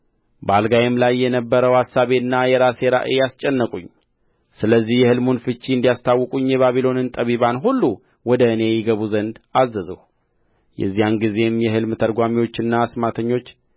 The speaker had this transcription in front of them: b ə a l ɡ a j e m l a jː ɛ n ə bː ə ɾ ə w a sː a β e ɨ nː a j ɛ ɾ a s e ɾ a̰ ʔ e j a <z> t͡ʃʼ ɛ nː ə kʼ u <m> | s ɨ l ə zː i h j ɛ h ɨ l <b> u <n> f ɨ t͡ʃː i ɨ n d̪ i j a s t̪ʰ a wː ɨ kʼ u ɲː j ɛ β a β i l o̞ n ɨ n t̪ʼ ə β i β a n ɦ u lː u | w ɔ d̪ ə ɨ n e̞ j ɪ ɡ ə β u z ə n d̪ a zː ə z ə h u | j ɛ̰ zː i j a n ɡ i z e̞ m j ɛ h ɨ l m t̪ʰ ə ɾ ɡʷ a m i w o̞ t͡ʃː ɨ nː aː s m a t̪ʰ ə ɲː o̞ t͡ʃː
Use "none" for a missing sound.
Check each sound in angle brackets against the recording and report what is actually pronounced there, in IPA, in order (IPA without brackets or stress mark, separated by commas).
s, ɲ, m, n